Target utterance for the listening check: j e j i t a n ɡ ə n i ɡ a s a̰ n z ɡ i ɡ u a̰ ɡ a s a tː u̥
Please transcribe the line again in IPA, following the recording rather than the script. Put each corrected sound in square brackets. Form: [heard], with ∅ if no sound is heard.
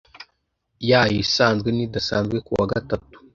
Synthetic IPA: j [a] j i [s] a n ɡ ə n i [d] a s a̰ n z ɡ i [k] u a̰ ɡ a [t] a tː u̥